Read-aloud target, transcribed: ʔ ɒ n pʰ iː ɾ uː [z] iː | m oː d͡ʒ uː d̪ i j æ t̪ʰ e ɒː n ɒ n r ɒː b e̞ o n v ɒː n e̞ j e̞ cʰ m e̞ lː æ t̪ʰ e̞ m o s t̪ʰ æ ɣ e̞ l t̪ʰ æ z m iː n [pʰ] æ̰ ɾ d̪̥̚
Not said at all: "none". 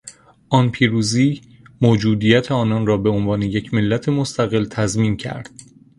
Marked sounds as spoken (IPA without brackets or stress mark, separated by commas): z, cʰ